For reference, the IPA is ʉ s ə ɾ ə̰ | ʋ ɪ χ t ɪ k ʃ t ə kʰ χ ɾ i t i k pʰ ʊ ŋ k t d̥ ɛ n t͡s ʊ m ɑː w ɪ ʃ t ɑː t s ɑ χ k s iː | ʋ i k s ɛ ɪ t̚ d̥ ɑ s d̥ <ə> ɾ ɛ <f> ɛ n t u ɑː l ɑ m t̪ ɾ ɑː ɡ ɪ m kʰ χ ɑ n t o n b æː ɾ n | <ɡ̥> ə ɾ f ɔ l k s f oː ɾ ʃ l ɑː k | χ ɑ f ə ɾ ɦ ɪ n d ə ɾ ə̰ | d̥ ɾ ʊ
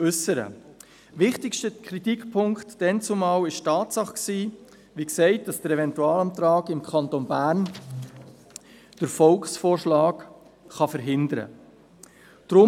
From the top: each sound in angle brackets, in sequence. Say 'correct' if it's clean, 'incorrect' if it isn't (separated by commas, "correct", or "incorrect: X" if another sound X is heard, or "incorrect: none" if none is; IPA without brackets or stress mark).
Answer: correct, incorrect: v, incorrect: d̥